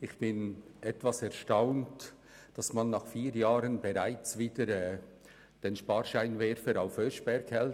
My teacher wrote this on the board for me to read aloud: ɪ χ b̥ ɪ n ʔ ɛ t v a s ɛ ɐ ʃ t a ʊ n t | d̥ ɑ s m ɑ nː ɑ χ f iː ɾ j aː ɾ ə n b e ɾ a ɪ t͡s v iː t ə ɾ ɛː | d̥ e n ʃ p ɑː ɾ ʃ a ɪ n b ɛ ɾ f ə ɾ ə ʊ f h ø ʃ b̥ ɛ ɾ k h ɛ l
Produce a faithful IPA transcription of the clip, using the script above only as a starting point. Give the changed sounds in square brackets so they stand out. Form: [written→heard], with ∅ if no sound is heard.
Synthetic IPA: ɪ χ b̥ ɪ n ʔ ɛ t v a s ɛ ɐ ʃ t a ʊ n t | d̥ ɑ s m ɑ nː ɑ χ f iː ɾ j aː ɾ ə n b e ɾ a ɪ t͡s v iː [t→d] ə ɾ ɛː | d̥ e n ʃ p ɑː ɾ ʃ a ɪ n [b→v] ɛ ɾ f ə ɾ [ə→a] ʊ f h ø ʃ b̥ ɛ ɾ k h ɛ l